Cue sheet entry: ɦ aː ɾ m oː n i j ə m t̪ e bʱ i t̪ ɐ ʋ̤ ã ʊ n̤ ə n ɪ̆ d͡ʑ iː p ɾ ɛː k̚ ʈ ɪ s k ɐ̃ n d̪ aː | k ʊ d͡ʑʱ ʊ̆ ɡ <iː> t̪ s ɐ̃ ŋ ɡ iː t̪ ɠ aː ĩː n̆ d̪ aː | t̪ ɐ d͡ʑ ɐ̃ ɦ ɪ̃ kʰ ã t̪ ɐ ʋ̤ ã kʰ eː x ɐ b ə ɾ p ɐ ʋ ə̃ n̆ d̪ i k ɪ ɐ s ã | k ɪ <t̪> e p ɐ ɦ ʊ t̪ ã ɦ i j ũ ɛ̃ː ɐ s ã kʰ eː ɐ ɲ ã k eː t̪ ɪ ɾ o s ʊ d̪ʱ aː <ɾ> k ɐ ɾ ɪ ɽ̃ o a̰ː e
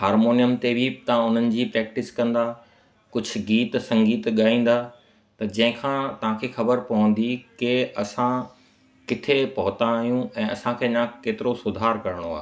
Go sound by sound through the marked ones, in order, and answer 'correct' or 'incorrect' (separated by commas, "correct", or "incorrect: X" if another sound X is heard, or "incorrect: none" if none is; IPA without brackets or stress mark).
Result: correct, incorrect: t̪ʰ, correct